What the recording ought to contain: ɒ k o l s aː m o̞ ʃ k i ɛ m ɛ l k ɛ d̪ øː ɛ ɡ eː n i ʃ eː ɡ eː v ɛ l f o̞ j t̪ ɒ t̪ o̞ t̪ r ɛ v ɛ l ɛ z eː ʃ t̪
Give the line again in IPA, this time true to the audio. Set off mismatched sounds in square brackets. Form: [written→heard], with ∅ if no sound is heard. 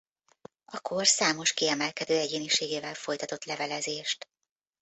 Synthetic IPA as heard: ɒ k o [l→r] s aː m o̞ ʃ k i ɛ m ɛ l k ɛ d̪ øː ɛ [ɡ→ɟ] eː n i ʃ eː ɡ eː v ɛ l f o̞ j t̪ ɒ t̪ o̞ t̪ [r→l] ɛ v ɛ l ɛ z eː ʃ t̪